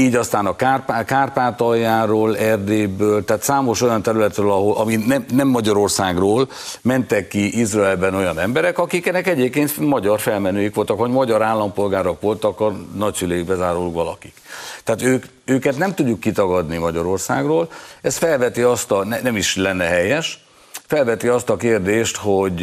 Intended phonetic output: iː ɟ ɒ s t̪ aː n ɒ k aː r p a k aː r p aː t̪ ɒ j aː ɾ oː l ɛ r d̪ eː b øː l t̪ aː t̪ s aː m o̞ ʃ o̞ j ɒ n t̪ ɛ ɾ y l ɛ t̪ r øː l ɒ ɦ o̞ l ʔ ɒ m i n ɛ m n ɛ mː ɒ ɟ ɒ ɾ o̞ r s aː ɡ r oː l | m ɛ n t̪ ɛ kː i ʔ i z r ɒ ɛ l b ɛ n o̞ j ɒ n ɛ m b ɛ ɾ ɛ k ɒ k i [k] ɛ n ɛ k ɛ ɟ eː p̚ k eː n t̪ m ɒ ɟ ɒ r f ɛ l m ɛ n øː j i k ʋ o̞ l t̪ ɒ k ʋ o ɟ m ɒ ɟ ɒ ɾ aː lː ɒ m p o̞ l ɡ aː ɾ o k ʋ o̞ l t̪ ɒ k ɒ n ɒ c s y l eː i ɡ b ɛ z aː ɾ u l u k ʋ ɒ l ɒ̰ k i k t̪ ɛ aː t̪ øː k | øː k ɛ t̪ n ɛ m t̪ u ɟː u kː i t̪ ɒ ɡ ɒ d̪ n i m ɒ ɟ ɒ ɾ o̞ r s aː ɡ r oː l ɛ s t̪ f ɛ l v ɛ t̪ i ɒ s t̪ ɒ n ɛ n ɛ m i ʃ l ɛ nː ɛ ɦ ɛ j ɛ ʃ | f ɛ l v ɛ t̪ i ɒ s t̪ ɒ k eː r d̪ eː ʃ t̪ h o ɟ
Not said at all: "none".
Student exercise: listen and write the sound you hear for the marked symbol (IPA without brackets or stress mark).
k